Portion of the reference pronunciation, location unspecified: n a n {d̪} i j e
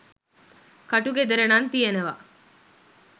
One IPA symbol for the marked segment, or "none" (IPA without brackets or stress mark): t̪